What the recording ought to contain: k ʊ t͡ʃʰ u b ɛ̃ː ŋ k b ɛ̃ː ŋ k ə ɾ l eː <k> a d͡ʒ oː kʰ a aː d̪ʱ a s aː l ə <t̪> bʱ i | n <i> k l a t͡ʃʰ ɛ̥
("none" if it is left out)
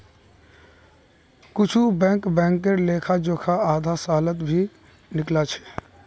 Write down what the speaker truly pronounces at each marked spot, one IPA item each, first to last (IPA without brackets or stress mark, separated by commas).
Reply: kʰ, t̪, ɪ